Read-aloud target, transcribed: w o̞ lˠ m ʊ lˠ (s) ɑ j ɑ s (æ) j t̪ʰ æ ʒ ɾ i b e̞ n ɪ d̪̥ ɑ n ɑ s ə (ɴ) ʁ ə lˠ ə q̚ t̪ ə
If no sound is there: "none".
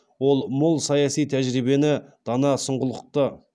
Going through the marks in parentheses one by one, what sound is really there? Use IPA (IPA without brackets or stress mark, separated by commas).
s, i, ɴ